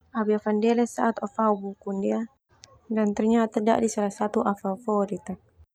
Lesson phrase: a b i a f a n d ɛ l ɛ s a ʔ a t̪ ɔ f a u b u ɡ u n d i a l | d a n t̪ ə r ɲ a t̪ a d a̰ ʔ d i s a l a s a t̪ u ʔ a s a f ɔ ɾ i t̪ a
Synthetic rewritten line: a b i a f a n d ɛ l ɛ s a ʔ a t̪ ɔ f a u b u k u n d i a | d a n t̪ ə r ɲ a t̪ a d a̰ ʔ d i s a l a s a t̪ u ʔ a f a f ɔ ɾ i t̪ a